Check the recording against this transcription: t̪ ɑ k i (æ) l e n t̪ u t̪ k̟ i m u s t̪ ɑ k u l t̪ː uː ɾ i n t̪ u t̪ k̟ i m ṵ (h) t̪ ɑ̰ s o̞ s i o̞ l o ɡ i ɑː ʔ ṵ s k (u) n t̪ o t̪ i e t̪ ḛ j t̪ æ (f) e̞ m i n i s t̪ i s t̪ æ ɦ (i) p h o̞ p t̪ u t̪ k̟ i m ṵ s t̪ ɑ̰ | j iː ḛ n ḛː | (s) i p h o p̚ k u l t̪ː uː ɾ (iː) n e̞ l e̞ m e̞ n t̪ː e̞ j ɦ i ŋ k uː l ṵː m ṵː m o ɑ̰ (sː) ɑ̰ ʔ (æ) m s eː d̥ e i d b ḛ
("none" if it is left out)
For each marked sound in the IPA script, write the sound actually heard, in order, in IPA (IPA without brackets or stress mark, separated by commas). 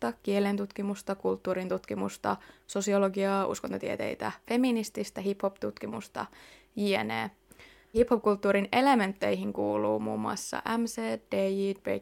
e, s, o, f, i, h, i, sː, æ